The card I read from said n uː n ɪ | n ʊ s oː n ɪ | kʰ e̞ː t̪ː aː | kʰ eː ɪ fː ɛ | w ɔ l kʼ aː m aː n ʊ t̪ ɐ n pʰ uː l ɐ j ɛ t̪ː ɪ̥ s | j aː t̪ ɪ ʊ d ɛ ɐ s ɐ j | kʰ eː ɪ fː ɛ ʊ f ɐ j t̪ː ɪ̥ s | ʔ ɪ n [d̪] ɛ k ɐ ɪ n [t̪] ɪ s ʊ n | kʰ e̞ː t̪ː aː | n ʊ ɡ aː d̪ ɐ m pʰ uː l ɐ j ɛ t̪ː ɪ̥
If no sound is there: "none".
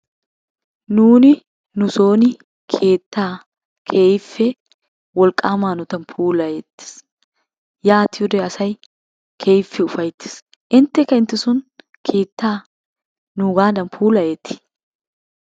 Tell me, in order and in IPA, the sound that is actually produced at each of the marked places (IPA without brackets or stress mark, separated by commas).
t̪, t̪